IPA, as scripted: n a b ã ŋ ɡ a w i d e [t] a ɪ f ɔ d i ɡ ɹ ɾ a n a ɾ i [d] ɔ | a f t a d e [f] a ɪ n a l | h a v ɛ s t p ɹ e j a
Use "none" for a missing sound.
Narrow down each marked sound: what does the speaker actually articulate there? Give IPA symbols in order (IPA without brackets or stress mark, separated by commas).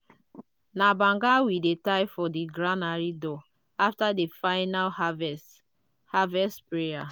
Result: t, d, f